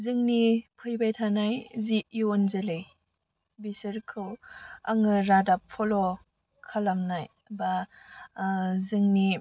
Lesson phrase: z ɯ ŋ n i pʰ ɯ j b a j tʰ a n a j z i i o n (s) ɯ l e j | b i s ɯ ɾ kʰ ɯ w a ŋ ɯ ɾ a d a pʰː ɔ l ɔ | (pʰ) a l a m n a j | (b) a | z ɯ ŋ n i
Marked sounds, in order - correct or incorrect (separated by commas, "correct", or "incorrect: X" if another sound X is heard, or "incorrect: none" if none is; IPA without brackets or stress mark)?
incorrect: z, incorrect: kʰ, correct